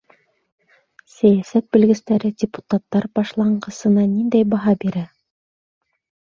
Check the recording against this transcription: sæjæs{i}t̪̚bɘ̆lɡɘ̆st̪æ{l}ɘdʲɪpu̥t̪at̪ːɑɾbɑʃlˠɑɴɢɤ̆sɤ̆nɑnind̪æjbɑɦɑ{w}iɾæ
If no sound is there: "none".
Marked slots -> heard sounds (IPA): æ, ɾ, b

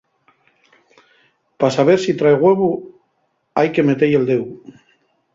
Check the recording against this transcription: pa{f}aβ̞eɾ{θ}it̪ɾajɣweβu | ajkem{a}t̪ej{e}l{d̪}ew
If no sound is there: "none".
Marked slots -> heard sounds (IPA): s, s, e, e, d̪

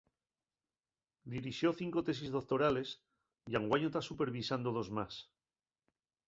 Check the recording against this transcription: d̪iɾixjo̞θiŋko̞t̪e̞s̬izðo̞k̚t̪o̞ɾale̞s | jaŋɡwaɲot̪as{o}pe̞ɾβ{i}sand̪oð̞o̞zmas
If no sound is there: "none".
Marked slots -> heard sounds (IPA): u, i

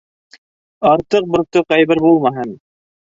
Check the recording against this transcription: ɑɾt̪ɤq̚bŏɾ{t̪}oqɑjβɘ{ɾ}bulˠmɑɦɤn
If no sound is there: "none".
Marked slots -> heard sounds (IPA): t̪, ɾ

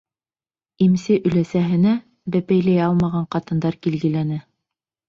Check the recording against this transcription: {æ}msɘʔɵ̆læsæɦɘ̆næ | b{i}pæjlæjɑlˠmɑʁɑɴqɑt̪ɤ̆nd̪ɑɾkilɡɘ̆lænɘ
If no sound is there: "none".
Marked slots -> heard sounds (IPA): i, æ

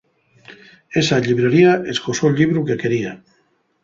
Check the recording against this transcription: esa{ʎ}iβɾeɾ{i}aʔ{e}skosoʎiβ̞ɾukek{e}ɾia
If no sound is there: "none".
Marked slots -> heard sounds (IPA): ʎ, i, e, e

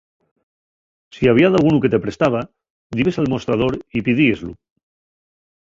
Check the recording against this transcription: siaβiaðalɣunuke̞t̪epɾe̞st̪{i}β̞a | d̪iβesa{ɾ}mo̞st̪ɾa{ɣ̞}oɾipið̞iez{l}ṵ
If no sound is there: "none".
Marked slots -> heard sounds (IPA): a, l, ð̞, l

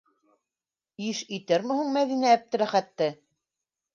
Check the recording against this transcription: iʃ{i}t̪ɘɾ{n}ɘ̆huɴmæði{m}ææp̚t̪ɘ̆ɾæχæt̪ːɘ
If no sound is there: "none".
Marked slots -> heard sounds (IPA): i, m, n

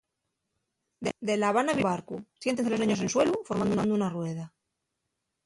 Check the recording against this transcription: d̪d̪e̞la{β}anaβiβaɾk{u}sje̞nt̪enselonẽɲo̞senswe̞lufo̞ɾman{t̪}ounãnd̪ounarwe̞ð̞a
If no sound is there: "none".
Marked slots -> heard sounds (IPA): β, u, d̪

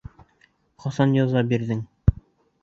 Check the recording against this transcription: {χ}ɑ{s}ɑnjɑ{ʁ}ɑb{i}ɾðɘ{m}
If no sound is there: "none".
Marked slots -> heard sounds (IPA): χ, s, z, i, ŋ

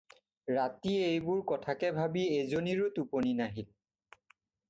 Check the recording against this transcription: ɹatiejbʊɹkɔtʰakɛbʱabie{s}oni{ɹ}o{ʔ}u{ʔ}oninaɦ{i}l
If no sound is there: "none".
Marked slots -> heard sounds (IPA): z, ɹ, t, p, i

